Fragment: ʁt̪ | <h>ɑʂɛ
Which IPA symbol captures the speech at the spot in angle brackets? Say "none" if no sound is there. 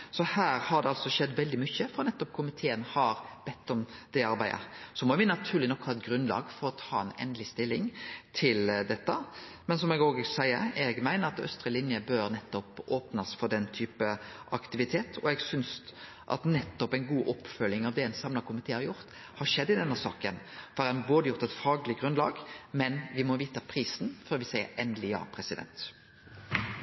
h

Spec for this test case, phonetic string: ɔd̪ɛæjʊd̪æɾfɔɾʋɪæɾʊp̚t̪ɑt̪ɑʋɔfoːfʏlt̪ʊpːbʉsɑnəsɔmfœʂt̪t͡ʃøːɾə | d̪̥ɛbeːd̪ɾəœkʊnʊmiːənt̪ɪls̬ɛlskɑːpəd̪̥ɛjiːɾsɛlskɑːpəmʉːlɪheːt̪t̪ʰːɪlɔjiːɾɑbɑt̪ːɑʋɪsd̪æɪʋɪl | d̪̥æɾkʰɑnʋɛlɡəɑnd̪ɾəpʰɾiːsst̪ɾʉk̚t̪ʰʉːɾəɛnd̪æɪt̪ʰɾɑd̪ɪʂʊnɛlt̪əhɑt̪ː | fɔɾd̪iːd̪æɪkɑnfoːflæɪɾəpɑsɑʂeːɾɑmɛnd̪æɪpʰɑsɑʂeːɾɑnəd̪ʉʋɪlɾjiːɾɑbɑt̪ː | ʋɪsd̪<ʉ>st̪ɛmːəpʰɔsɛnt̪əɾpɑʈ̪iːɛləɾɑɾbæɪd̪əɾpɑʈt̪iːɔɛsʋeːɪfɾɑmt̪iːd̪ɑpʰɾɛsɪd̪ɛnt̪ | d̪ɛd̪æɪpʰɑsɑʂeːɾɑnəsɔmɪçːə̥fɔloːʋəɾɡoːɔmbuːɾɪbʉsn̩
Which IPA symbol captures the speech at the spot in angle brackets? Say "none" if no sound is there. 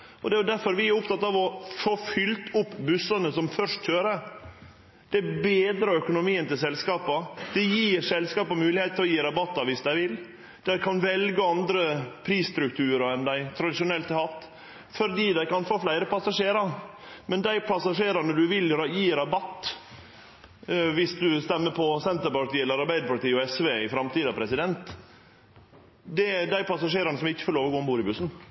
ʉ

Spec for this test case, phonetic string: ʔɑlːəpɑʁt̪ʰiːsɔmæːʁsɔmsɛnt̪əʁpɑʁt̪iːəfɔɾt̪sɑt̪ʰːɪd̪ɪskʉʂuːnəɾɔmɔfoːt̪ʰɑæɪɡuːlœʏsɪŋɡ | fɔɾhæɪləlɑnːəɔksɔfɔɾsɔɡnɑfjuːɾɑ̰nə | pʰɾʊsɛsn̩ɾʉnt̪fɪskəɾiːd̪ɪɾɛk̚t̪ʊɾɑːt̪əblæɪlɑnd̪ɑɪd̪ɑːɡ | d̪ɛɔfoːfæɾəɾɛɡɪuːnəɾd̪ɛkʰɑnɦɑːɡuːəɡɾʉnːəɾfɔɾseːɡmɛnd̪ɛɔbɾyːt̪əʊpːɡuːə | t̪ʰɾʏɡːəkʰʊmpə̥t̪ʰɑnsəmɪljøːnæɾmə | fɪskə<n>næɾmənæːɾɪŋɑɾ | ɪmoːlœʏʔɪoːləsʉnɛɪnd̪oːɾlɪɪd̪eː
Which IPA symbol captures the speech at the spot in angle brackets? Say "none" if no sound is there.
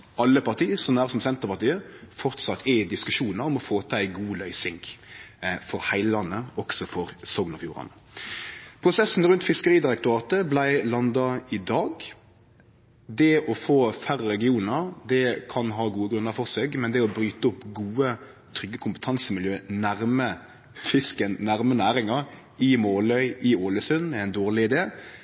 n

